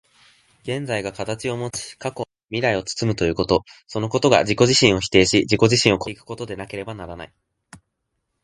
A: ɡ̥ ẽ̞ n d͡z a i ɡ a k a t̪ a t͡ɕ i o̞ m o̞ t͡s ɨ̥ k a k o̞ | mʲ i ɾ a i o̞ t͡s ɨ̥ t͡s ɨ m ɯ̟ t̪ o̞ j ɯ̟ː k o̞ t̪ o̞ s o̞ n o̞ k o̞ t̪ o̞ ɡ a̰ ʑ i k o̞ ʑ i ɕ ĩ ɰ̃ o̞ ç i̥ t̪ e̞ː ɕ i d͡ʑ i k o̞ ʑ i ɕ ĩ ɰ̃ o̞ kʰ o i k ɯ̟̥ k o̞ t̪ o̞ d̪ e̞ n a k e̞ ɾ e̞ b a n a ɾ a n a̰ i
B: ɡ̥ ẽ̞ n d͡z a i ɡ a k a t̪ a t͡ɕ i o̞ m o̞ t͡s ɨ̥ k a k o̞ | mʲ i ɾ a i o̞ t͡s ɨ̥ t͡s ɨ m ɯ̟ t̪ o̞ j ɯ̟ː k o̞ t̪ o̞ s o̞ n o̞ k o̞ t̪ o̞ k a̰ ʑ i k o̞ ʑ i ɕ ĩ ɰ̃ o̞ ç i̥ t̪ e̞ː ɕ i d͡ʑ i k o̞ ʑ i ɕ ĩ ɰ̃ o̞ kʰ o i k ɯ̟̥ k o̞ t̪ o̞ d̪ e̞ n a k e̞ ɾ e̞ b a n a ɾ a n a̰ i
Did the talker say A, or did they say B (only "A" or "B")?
A